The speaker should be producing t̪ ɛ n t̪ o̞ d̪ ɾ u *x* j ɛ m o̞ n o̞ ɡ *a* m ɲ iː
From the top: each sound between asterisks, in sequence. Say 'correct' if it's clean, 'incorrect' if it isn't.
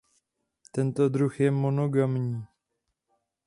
correct, correct

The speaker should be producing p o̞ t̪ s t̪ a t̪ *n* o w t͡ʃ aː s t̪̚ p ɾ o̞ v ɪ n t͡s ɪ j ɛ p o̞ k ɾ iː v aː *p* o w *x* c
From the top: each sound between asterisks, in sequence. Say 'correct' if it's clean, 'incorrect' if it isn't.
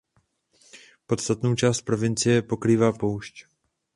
correct, correct, incorrect

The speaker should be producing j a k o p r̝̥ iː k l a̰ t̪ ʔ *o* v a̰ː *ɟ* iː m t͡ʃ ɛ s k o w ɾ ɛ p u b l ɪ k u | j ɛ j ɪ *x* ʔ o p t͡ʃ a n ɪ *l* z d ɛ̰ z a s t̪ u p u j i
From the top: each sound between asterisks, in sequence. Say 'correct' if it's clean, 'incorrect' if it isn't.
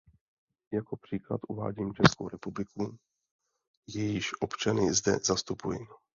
incorrect, correct, incorrect, incorrect

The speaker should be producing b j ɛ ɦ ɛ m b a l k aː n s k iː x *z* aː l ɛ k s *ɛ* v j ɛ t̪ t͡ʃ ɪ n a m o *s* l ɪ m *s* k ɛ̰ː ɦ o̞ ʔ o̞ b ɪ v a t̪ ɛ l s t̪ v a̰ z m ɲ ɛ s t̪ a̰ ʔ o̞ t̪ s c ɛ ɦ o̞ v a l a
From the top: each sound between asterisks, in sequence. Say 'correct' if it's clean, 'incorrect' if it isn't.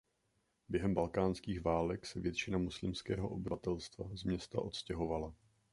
incorrect, correct, correct, correct

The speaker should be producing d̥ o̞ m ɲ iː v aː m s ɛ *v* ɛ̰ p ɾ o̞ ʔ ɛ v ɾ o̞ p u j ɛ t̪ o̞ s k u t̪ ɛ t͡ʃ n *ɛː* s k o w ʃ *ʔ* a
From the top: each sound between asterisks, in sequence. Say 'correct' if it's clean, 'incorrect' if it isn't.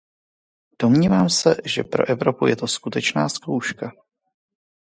incorrect, incorrect, incorrect

